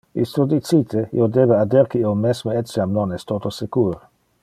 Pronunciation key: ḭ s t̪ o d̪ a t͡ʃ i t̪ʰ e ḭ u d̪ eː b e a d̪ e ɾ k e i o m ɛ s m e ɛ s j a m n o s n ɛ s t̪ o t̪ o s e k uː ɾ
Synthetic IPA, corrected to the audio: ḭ s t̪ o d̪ i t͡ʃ i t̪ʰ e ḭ o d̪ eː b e a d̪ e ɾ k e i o m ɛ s m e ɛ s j a m n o n ɛ s t̪ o t̪ o s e k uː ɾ